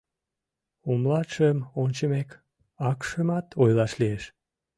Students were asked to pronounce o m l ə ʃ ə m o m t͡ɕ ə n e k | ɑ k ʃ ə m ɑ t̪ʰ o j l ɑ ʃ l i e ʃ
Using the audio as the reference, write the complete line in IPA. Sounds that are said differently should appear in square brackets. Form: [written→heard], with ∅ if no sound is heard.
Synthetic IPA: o m l [ə→ɑ] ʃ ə m o [m→n] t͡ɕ ə [n→m] e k | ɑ k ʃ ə m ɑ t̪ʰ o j l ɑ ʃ l i e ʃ